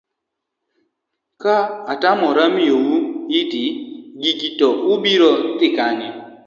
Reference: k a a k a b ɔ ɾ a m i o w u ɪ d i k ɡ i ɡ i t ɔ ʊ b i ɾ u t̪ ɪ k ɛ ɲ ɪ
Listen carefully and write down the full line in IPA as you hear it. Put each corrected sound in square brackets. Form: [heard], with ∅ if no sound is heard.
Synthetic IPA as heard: k a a [t] a [m] ɔ ɾ a m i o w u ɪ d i [∅] ɡ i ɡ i t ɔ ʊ b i ɾ [ɔ] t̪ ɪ k [a] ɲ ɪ